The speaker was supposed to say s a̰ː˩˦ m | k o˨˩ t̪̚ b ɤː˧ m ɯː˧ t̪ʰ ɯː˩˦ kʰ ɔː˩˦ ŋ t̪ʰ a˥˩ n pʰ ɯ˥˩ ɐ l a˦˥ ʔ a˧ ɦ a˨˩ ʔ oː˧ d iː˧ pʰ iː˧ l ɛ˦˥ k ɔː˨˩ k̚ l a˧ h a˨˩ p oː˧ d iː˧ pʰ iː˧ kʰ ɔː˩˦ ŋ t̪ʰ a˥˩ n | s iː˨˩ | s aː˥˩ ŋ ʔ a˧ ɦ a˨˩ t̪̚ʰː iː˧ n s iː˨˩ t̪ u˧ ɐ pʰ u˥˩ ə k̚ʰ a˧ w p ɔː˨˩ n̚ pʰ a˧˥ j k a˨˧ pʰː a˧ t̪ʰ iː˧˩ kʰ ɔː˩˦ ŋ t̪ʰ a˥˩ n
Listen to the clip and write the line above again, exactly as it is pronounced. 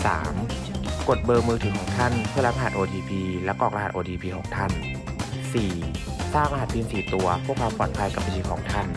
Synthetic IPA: s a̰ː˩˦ m | k o˨˩ t̪̚ b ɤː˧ m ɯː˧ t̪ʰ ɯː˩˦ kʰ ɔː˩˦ ŋ t̪ʰ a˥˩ n pʰ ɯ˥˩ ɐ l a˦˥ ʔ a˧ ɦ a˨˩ ʔ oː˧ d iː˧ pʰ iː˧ l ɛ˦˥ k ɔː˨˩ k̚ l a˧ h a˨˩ ʔ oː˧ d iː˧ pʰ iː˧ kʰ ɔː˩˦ ŋ t̪ʰ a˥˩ n | s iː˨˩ | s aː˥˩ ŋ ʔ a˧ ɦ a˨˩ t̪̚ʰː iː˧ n s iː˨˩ t̪ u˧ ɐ pʰ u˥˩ ə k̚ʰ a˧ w p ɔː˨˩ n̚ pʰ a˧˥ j k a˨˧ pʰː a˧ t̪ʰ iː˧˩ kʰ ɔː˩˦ ŋ t̪ʰ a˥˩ n